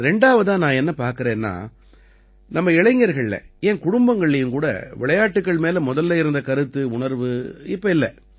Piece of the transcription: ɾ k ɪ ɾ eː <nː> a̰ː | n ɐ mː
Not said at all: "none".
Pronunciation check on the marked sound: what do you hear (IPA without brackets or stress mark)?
nː